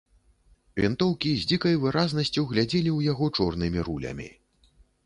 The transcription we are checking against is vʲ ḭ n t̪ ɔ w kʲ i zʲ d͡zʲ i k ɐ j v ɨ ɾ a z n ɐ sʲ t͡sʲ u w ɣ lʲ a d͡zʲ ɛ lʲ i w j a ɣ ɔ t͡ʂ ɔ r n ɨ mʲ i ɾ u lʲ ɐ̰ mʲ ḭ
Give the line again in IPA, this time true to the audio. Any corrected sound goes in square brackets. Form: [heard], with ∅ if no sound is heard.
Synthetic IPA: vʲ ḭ n t̪ ɔ w kʲ i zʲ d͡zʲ i k ɐ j v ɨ ɾ a z n ɐ sʲ t͡sʲ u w ɣ lʲ a d͡zʲ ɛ lʲ i w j a ɣ ɔ t͡ʂ ɔ r n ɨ mʲ i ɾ u lʲ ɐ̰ mʲ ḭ